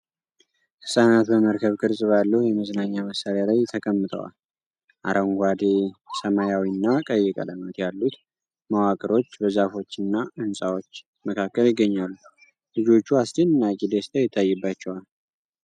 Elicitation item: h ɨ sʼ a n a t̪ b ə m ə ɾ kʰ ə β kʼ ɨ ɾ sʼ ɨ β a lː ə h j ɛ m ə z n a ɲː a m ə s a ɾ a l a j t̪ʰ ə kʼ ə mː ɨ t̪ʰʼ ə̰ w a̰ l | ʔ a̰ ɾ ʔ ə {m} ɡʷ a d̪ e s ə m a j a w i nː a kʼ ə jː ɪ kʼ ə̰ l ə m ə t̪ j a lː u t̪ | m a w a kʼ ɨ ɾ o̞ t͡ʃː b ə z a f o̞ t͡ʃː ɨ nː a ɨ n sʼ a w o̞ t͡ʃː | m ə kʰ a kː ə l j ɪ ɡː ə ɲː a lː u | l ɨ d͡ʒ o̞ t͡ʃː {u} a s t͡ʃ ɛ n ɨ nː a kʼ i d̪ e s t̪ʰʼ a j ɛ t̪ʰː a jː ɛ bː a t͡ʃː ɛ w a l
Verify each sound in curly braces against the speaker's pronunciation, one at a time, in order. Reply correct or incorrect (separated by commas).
incorrect, correct